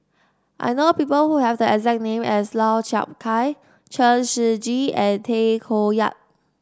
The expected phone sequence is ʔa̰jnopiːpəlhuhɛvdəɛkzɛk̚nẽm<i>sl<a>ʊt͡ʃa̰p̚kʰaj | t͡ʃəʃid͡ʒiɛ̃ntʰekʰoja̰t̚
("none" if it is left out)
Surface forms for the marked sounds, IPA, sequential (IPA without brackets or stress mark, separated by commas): ɛ, a